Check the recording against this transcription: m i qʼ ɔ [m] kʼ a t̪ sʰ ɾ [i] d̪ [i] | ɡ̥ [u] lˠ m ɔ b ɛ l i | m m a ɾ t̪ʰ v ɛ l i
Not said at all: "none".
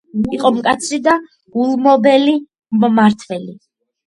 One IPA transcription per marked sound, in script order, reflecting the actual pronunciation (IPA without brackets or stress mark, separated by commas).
m, i, a, u